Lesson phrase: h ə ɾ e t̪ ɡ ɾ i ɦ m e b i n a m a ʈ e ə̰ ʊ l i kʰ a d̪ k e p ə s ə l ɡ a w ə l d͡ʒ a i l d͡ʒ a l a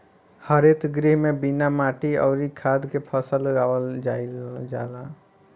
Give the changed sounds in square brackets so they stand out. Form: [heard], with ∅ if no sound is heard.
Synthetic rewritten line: h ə ɾ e t̪ ɡ ɾ i ɦ m e b i n a m a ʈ [i] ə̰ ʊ [ɾ] i kʰ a d̪ k e [pʰ] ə s ə l ɡ a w ə l d͡ʒ a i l d͡ʒ a l a